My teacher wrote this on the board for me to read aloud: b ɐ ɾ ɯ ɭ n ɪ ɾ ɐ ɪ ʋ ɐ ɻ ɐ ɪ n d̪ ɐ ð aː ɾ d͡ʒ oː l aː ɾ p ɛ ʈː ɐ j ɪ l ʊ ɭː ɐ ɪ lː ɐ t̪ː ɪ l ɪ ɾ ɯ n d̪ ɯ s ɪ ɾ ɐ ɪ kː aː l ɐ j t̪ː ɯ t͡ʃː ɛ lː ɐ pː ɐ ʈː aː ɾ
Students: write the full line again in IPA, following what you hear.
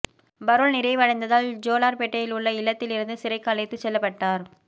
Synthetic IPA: b ɐ ɾ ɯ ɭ n ɪ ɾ ɐ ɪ ʋ ɐ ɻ ɐ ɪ n d̪ ɐ ð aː l d͡ʒ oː l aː ɾ p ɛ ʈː ɐ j ɪ l ʊ ɭː ɐ ɪ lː ɐ t̪ː ɪ l ɪ ɾ ɯ n d̪ ɯ s ɪ ɾ ɐ ɪ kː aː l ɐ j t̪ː ɯ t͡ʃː ɛ lː ɐ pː ɐ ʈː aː ɾ